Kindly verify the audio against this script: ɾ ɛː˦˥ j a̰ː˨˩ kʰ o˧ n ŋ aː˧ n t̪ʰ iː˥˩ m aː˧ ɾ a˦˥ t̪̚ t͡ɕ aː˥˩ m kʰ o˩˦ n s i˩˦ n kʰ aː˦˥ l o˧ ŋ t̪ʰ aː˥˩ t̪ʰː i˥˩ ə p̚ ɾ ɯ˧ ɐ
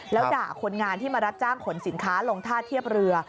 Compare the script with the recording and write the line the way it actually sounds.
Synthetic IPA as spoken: l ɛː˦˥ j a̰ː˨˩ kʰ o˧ n ŋ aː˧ n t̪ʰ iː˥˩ m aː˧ ɾ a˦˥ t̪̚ t͡ɕ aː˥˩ ŋ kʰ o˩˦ n s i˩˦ n kʰ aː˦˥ l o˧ ŋ t̪ʰ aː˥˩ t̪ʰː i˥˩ ə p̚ ɾ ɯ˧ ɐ